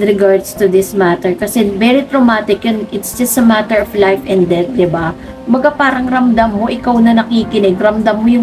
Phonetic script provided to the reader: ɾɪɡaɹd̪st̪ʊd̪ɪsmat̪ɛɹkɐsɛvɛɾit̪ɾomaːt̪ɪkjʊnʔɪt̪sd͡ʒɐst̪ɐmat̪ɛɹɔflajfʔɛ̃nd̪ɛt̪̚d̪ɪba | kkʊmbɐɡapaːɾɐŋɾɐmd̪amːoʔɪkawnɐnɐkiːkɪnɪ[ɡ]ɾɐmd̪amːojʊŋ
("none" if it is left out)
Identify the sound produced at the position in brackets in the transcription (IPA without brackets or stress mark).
ɡ